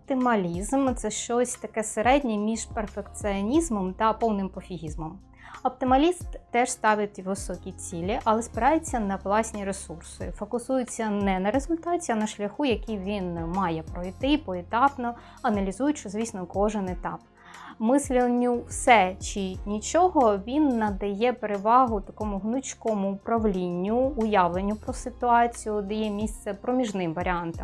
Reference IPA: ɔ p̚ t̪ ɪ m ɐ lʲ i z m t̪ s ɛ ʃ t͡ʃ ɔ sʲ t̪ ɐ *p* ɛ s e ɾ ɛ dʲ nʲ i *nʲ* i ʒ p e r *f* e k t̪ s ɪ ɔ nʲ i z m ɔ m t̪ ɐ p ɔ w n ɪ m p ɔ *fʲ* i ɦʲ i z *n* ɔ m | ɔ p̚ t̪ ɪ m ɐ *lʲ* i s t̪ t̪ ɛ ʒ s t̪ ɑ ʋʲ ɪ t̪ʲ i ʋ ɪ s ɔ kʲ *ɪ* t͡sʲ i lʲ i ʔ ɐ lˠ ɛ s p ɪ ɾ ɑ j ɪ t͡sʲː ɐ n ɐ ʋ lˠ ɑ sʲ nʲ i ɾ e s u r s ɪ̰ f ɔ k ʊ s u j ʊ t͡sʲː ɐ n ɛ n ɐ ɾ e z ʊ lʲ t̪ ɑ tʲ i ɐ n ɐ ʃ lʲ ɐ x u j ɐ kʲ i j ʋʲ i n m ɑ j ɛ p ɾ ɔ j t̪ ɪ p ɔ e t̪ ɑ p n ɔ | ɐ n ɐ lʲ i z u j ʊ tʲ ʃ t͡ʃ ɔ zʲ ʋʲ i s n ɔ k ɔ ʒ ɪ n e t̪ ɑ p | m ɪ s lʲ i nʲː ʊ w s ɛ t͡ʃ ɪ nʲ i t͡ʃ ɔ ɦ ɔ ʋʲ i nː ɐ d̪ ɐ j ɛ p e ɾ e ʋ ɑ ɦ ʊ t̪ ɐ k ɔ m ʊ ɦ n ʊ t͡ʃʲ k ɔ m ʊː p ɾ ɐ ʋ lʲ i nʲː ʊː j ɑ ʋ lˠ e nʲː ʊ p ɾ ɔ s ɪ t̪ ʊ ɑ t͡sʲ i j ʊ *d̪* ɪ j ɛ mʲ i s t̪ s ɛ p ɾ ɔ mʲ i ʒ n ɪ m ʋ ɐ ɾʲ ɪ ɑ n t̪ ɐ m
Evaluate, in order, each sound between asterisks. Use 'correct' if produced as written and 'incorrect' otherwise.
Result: incorrect, incorrect, correct, correct, incorrect, correct, incorrect, correct

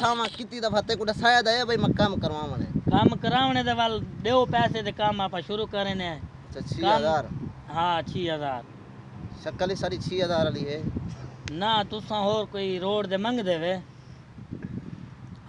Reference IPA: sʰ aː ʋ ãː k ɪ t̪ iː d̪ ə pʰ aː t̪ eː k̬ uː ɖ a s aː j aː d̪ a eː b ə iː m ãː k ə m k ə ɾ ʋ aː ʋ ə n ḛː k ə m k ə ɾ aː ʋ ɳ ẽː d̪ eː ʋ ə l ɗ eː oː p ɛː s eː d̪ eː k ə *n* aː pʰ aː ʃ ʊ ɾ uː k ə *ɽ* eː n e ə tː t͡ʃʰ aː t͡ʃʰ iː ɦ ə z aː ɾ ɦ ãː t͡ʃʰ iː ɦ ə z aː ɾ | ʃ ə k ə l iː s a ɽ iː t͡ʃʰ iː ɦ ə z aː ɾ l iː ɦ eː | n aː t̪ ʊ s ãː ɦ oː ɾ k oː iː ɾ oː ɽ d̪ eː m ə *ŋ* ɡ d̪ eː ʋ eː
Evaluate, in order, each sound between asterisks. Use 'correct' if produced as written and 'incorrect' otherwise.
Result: incorrect, incorrect, correct

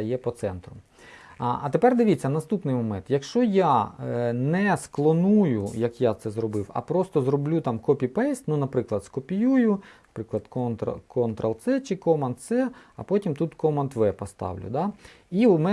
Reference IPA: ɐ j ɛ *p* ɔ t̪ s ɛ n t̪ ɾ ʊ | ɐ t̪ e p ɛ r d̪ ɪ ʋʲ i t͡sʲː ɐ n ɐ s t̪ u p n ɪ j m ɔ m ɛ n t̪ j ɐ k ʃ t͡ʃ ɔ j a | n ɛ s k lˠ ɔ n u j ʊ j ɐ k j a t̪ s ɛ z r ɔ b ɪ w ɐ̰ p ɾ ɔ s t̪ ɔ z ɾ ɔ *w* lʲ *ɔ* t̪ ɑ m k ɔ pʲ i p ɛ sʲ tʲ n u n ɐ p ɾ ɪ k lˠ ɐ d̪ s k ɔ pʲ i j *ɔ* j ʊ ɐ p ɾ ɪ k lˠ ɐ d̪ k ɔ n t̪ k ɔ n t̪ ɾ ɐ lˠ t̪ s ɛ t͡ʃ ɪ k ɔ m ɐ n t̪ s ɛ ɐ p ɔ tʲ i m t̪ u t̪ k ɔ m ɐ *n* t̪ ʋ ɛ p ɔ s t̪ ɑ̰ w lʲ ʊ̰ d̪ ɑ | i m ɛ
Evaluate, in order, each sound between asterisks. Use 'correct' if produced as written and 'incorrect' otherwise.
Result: correct, incorrect, incorrect, incorrect, correct

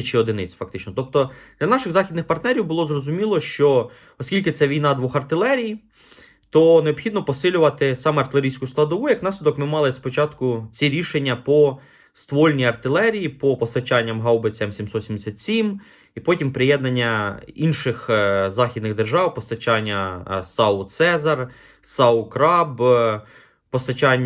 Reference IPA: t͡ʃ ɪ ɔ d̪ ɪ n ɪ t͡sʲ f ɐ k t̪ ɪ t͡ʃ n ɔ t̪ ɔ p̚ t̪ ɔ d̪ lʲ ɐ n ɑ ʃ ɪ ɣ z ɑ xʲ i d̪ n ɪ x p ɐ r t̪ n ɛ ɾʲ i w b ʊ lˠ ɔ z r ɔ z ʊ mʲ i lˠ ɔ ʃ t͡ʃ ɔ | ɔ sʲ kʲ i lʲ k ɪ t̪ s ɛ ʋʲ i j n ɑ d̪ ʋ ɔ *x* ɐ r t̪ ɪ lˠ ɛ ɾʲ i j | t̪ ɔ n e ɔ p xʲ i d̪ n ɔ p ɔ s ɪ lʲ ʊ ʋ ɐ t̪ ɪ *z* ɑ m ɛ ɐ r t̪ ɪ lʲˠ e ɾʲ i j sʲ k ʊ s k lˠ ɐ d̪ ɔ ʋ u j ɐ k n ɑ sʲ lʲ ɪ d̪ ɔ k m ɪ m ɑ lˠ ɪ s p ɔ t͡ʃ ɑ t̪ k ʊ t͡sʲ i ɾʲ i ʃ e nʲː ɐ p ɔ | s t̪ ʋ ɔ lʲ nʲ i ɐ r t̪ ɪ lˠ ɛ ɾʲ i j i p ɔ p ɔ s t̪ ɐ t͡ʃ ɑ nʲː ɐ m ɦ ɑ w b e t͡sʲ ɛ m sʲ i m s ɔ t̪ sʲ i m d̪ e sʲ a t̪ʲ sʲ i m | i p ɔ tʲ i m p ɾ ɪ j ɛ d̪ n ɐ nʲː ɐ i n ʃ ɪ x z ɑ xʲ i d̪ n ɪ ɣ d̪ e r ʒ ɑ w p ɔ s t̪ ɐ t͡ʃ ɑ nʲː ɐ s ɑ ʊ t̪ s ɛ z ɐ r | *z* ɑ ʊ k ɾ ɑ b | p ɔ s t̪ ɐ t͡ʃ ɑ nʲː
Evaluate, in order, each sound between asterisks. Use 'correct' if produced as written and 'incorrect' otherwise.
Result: correct, incorrect, incorrect

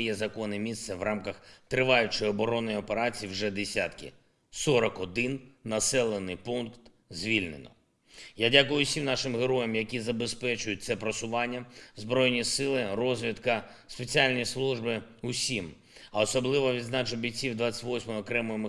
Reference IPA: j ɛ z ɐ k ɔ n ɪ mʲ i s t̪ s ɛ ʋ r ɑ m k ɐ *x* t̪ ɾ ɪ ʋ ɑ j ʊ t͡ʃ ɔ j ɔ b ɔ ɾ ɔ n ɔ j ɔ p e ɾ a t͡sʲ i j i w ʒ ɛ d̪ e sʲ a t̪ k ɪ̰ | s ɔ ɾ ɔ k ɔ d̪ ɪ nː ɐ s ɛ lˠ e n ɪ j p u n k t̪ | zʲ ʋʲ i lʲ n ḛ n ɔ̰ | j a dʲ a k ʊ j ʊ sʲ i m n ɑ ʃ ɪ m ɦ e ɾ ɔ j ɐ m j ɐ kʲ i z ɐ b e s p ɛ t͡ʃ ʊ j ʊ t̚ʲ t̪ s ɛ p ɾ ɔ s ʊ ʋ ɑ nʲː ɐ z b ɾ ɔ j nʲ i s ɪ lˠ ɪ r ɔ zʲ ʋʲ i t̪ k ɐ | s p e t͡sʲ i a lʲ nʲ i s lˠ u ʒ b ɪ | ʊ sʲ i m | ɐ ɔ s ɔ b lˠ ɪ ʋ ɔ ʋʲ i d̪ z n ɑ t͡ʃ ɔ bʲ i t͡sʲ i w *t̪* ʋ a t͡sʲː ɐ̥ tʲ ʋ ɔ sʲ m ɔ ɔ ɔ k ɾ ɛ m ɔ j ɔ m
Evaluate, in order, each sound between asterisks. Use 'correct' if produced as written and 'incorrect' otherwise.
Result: correct, incorrect

